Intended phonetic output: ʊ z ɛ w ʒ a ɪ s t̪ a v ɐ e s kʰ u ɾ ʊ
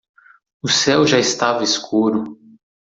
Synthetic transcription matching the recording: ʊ s ɛ w ʒ a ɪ s t̪ a v ɐ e s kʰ u ɾ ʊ